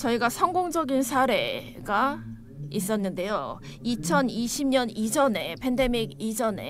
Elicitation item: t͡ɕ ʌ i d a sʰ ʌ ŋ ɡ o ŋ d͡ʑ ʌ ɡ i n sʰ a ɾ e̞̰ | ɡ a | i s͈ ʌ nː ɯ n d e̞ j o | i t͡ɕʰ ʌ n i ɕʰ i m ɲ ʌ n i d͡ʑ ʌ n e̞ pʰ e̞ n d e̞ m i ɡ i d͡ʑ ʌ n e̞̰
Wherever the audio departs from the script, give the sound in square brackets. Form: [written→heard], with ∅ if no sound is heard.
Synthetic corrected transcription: t͡ɕ ʌ i [d→ɡ] a sʰ ʌ ŋ ɡ o ŋ d͡ʑ ʌ ɡ i n sʰ a ɾ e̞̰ | ɡ a | i s͈ ʌ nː ɯ n d e̞ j o | i t͡ɕʰ ʌ n i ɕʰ i m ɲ ʌ n i d͡ʑ ʌ n e̞ pʰ e̞ n d e̞ m i ɡ i d͡ʑ ʌ n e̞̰